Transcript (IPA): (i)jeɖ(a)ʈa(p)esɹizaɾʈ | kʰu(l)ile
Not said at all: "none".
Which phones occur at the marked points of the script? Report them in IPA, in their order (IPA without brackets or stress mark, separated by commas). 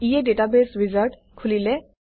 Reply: i, e, b, l